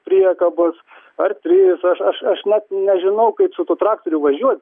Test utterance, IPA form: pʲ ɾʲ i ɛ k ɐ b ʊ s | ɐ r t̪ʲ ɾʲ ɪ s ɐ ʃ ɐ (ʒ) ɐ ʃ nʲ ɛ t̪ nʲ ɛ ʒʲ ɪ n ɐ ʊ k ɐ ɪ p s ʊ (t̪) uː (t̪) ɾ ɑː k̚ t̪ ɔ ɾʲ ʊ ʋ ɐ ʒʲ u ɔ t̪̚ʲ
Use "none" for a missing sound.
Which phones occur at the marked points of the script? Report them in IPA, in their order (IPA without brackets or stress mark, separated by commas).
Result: ʃ, t̪, t̪